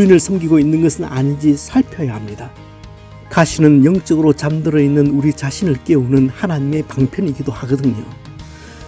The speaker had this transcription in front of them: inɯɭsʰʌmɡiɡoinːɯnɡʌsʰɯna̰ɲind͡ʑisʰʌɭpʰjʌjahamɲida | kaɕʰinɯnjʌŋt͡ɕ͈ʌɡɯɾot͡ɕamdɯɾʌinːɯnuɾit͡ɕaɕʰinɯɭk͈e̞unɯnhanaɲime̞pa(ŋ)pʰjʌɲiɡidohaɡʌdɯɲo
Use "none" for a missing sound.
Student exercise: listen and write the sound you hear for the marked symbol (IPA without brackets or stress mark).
ŋ